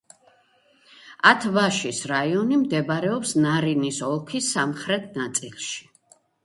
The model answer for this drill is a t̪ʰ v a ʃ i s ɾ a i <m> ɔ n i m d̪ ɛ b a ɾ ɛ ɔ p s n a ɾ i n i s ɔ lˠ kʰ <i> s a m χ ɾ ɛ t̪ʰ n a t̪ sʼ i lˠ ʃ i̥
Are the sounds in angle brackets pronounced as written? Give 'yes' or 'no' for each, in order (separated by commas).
no, yes